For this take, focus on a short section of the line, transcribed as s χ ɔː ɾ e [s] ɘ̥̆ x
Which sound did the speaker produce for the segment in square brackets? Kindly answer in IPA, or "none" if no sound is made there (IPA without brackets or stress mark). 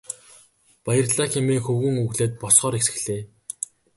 s